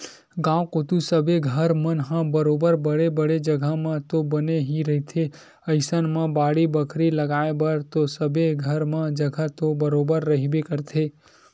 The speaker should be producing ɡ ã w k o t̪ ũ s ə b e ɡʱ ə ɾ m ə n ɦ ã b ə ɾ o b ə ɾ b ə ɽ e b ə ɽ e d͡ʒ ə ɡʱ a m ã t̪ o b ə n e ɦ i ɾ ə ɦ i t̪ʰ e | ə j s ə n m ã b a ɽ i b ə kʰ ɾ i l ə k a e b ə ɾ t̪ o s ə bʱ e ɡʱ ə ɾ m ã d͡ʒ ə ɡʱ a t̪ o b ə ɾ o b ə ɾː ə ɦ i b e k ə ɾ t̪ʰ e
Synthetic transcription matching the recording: ɡ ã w k o t̪ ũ s ə b e ɡʱ ə ɾ m ə n ɦ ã b ə ɾ o b ə ɾ b ə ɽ e b ə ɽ e d͡ʒ ə ɡʱ a m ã t̪ o b ə n e ɦ i ɾ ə ɦ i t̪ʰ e | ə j s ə n m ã b a ɽ i b ə kʰ ɾ i l ə ɡ a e b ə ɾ t̪ o s ə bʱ e ɡʱ ə ɾ m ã d͡ʒ ə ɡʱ a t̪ o b ə ɾ o b ə ɾː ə ɦ i b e k ə ɾ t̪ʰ e